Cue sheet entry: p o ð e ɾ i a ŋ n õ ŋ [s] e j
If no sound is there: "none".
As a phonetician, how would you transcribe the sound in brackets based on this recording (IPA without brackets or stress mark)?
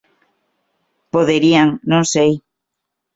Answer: s